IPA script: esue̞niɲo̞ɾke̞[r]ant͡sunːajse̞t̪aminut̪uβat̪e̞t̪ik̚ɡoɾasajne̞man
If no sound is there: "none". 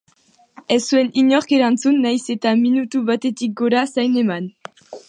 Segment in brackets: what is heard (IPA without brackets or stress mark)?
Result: ɾ